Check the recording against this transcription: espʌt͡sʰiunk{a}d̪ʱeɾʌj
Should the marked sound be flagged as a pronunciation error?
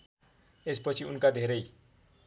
no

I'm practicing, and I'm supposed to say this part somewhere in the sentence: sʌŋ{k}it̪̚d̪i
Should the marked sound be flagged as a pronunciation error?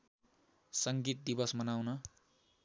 yes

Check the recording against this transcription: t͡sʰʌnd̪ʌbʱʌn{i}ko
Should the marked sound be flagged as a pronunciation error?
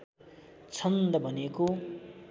yes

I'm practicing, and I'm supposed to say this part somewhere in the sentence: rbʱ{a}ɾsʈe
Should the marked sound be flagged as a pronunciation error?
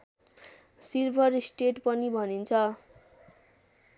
yes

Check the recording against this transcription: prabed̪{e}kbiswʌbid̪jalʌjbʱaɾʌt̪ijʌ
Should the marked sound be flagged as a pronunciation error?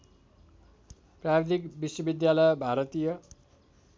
yes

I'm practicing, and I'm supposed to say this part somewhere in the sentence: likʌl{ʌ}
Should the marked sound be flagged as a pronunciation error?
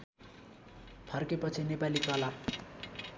yes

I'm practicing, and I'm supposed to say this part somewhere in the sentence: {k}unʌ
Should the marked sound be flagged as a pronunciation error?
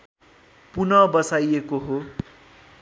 yes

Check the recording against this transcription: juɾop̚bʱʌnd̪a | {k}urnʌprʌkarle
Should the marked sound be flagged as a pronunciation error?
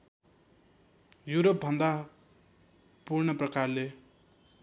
yes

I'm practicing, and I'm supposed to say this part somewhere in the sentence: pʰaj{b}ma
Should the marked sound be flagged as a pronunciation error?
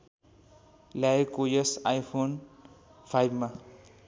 no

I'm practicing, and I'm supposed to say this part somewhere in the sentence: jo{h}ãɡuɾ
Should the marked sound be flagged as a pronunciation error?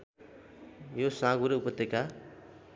yes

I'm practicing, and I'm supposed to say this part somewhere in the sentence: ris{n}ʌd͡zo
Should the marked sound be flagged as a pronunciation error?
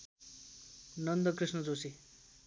no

